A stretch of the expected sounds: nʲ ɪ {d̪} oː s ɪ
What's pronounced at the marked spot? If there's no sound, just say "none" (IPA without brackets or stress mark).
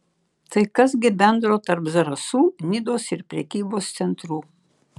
d̪